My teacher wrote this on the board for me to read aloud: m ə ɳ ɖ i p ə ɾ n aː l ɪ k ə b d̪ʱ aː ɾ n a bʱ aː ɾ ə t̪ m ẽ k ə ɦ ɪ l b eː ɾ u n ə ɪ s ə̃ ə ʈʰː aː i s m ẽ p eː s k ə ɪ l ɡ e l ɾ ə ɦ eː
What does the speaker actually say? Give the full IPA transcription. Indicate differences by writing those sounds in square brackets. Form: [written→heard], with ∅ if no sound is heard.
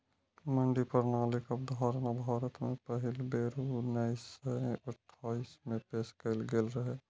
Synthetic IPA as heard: m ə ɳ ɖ i p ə ɾ n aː l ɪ k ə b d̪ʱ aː ɾ n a bʱ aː ɾ ə t̪ m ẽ [k→p] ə ɦ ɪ l b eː ɾ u n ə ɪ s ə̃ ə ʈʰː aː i s m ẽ p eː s k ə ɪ l ɡ e l ɾ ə ɦ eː